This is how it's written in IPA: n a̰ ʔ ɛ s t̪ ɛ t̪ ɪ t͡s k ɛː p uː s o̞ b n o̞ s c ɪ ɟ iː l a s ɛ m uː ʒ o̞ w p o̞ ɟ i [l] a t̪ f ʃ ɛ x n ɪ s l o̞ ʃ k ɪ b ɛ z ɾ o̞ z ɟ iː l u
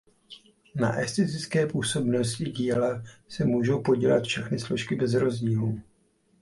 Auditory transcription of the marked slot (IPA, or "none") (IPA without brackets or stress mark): l